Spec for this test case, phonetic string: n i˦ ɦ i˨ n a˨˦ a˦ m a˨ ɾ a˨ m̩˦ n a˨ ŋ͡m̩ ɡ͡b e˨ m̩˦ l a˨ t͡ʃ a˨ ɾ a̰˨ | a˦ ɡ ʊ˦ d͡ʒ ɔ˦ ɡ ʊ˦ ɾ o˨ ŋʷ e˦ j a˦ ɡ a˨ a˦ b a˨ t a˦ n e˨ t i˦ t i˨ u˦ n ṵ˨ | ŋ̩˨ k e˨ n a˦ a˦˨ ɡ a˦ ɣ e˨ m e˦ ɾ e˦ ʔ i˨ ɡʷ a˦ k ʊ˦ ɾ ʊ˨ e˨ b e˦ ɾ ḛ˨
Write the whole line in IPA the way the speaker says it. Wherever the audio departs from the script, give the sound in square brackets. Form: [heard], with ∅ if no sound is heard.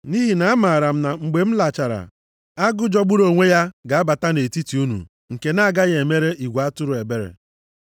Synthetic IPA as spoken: n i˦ ɦ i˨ n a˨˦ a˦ m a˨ ɾ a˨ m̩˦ n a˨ ŋ͡m̩ ɡ͡b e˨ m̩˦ l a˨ t͡ʃ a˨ ɾ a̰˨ | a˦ ɡ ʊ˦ d͡ʒ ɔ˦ [ɡ͡b] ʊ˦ ɾ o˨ ŋʷ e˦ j a˦ ɡ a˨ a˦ b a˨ t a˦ n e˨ t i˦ t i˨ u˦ n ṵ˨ | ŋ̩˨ k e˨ n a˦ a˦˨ ɡ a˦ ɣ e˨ m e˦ ɾ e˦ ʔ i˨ ɡʷ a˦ [t] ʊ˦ ɾ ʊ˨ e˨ b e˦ ɾ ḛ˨